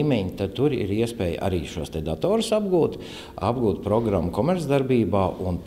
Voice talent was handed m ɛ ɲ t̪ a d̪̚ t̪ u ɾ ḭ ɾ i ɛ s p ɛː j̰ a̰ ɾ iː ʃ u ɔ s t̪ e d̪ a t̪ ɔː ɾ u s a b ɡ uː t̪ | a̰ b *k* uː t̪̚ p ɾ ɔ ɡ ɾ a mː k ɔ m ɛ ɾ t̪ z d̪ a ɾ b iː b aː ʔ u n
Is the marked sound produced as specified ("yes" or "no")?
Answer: no